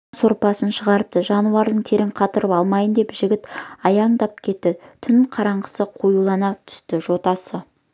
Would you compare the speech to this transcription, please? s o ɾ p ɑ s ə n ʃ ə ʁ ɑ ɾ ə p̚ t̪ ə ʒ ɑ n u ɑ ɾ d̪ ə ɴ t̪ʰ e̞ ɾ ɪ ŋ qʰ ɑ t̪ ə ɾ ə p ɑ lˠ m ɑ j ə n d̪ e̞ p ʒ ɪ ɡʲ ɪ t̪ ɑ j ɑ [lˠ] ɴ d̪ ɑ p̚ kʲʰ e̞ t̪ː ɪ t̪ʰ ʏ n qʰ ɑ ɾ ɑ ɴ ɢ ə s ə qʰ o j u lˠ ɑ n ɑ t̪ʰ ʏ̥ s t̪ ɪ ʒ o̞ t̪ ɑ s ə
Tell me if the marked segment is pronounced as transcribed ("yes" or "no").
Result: no